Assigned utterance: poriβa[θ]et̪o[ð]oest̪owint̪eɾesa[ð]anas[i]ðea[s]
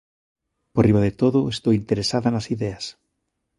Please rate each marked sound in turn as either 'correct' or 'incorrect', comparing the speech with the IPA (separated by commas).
incorrect, correct, correct, correct, correct